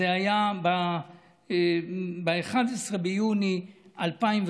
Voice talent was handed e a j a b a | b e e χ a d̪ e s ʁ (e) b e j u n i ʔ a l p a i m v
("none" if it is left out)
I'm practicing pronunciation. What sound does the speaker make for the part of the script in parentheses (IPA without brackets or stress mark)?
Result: e